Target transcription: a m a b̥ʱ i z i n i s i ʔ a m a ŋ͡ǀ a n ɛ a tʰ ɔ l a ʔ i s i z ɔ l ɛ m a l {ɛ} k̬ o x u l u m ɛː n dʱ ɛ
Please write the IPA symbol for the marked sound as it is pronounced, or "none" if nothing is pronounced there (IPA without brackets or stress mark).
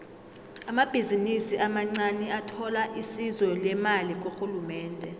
i